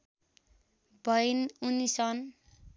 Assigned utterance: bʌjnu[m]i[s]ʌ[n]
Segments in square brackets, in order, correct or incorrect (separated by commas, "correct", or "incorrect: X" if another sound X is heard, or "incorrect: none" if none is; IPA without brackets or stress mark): incorrect: n, correct, correct